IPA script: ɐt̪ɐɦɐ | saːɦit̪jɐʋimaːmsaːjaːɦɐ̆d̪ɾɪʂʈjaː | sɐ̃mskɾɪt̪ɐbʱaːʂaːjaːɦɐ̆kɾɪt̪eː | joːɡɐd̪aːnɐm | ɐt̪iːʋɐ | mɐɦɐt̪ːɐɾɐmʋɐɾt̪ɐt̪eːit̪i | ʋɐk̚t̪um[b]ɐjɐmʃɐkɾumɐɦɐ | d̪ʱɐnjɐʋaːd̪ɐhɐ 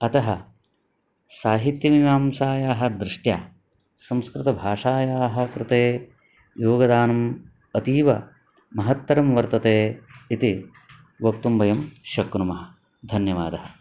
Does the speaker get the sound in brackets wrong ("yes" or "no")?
no